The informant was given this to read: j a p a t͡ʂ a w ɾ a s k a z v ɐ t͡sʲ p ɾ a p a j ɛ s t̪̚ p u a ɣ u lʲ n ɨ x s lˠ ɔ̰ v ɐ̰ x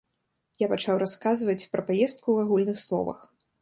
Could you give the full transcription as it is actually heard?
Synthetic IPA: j a p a t͡ʂ a w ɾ a s k a z v ɐ t͡sʲ p ɾ ɐ p a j ɛ s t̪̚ k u a ɣ u lʲ n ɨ x s lˠ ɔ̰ v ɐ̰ x